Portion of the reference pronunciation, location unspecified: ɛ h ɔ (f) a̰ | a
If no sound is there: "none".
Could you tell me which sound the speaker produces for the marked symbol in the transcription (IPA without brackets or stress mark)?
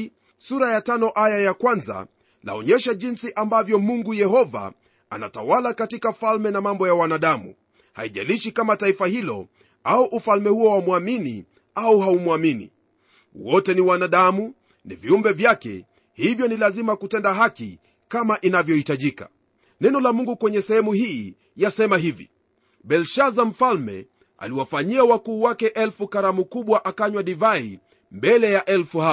v